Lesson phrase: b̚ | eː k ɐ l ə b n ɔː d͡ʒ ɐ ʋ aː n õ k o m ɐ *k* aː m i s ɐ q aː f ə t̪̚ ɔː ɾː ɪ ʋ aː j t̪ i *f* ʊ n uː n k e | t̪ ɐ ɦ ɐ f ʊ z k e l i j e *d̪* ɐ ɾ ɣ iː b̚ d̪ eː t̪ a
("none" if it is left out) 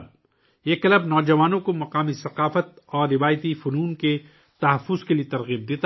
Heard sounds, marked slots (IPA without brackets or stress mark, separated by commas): q, f, t̪